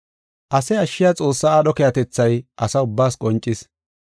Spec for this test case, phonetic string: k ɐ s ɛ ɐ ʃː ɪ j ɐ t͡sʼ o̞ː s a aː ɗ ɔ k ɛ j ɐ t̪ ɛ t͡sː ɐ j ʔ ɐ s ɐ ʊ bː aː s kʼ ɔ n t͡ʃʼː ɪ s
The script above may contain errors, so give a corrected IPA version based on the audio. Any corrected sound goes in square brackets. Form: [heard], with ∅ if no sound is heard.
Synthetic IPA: [ʔ] ɐ s ɛ ɐ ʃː ɪ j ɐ t͡sʼ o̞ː [sː] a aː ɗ ɔ k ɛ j ɐ t̪ ɛ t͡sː ɐ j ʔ ɐ s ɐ ʊ bː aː s kʼ ɔ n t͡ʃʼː ɪ s

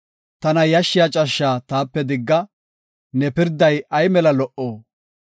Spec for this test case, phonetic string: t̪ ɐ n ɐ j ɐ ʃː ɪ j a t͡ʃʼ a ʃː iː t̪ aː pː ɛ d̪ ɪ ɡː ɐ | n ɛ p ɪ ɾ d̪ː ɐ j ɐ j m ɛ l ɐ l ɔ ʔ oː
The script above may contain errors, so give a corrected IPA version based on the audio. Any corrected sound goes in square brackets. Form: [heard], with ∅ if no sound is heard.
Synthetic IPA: t̪ ɐ n ɐ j ɐ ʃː ɪ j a t͡ʃʼ [ɐ] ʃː [aː] t̪ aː pː ɛ d̪ ɪ ɡː ɐ | n ɛ p ɪ ɾ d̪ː ɐ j ɐ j m ɛ l ɐ l ɔ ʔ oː

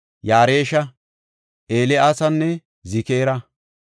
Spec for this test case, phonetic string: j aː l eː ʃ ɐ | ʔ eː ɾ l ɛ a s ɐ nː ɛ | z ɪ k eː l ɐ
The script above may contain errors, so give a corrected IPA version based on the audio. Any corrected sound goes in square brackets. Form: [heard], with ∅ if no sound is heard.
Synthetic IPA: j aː [ɾ] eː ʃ ɐ | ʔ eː [∅] l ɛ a s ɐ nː ɛ | z ɪ k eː [ɾ] ɐ

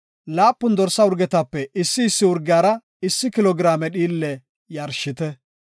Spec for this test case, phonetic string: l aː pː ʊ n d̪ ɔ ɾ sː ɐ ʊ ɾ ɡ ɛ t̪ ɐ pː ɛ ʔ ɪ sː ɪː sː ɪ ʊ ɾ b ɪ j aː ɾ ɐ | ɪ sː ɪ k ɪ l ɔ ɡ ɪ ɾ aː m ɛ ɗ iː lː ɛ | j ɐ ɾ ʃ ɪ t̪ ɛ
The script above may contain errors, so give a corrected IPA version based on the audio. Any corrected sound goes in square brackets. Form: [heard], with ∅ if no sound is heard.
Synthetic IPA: l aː pː ʊ n d̪ ɔ ɾ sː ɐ ʊ ɾ ɡ ɛ t̪ ɐ pː ɛ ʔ ɪ sː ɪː sː ɪ ʊ ɾ [ɡ] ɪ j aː ɾ ɐ | ɪ sː ɪ k ɪ l ɔ ɡ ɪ ɾ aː m ɛ ɗ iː lː ɛ | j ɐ ɾ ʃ ɪ t̪ ɛ

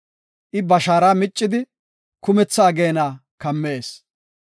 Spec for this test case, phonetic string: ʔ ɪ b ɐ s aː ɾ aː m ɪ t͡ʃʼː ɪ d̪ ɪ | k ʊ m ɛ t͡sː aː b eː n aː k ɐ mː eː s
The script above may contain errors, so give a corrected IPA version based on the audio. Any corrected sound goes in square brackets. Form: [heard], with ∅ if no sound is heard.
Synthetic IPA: ʔ ɪ b ɐ [ʃ] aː ɾ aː m ɪ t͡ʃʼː ɪ d̪ ɪ | k ʊ m ɛ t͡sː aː [ɡ] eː n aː k ɐ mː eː s

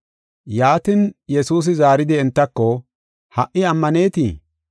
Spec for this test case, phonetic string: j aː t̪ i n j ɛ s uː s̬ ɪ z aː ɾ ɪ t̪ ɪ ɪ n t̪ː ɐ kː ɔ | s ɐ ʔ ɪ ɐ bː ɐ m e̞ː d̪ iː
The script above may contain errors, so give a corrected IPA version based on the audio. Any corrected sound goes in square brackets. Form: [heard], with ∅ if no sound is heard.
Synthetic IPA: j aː t̪ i n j ɛ s uː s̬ ɪ z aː ɾ ɪ [d̪] ɪ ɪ n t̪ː ɐ kː ɔ | [h] ɐ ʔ ɪ ɐ [mː] ɐ [n] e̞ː [t̪] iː

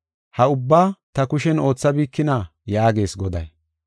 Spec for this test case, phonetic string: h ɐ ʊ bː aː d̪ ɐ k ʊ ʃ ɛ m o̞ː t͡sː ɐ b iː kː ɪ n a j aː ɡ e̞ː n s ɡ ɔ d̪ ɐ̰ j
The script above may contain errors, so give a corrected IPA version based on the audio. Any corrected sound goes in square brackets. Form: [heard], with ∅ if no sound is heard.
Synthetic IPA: h ɐ ʊ bː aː [t̪] ɐ k ʊ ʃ ɛ [n] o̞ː t͡sː ɐ b iː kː ɪ n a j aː ɡ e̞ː [∅] s ɡ ɔ d̪ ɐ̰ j

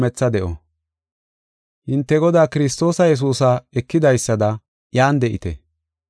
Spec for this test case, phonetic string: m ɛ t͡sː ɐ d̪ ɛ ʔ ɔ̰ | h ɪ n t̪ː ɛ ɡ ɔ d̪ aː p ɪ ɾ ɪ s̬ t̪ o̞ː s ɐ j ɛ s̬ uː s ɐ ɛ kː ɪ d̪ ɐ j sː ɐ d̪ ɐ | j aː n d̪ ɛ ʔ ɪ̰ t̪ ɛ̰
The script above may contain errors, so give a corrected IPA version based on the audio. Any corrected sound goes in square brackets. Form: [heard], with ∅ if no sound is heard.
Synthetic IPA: m ɛ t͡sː ɐ d̪ ɛ ʔ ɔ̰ | h ɪ n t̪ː ɛ ɡ ɔ d̪ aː [k] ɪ ɾ ɪ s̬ t̪ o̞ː s ɐ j ɛ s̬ uː s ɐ ɛ kː ɪ d̪ ɐ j sː ɐ d̪ ɐ | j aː n d̪ ɛ ʔ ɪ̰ t̪ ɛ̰

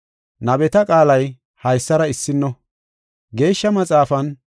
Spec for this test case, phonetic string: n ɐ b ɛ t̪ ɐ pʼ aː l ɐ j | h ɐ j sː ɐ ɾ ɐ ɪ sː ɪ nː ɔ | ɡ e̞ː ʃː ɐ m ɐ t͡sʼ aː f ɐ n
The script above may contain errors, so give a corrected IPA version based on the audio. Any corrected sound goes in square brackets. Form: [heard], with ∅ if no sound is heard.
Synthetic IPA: n ɐ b ɛ t̪ ɐ [kʼ] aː l ɐ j | h ɐ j sː ɐ ɾ ɐ ɪ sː ɪ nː ɔ | ɡ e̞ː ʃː ɐ m ɐ t͡sʼ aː f ɐ n

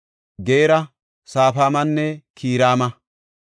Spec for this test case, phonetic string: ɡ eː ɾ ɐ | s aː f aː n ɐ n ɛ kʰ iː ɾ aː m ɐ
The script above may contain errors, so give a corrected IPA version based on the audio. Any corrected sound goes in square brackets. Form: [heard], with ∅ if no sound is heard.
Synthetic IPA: ɡ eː ɾ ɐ | s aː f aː [m] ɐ [nː] ɛ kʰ iː ɾ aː m ɐ

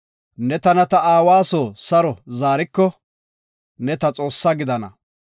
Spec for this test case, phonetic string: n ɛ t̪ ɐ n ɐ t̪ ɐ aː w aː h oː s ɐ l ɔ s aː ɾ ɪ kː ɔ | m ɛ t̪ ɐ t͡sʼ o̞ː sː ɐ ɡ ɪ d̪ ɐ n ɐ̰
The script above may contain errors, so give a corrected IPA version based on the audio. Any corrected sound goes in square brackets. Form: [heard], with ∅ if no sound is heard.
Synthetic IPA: n ɛ t̪ ɐ n ɐ t̪ ɐ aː w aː [s] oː s ɐ [ɾ] ɔ [z] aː ɾ ɪ kː ɔ | [n] ɛ t̪ ɐ t͡sʼ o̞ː sː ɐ ɡ ɪ d̪ ɐ n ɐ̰

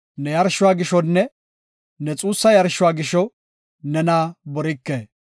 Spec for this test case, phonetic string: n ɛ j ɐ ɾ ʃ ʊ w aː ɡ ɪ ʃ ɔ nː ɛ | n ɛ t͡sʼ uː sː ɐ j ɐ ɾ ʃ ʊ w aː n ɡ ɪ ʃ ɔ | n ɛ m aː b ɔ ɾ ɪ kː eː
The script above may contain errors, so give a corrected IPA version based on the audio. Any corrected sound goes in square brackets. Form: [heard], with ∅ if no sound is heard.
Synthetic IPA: n ɛ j ɐ ɾ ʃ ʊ w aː ɡ ɪ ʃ ɔ nː ɛ | n ɛ t͡sʼ uː sː ɐ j ɐ ɾ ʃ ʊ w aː [∅] ɡ ɪ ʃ ɔ | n ɛ [n] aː b ɔ ɾ ɪ kː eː

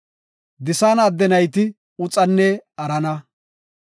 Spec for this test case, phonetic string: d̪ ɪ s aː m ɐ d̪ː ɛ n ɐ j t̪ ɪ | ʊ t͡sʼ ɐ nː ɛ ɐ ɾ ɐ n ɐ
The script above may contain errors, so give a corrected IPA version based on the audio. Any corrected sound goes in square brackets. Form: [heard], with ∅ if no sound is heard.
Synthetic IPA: d̪ ɪ s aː [n] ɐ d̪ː ɛ n ɐ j t̪ ɪ | ʊ t͡sʼ ɐ nː ɛ ɐ ɾ ɐ n ɐ

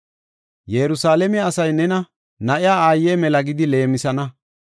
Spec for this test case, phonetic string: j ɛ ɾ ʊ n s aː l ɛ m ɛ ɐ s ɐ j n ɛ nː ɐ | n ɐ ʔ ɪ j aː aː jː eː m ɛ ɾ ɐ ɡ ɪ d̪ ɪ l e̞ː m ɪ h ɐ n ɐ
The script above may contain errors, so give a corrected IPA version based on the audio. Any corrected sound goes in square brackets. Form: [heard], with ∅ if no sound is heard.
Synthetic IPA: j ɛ ɾ ʊ [∅] s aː l ɛ m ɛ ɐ s ɐ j n ɛ [n] ɐ | n ɐ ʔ ɪ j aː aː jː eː m ɛ [l] ɐ ɡ ɪ d̪ ɪ l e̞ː m ɪ [s] ɐ n ɐ

